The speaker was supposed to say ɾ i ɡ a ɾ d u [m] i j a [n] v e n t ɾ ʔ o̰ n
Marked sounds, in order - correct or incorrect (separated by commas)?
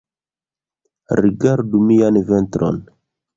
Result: correct, correct